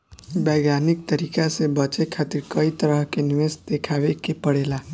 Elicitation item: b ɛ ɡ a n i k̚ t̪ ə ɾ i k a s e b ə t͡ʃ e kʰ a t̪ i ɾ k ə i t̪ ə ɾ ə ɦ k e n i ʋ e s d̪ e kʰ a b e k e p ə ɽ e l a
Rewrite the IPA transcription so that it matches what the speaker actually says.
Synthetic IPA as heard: b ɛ ɡ a n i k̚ t̪ ə ɾ i k a s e b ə t͡ʃ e kʰ a t̪ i ɾ k ə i t̪ ə ɾ ə ɦ k e n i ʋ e s d̪ e kʰ a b e k e p ə ɽ e l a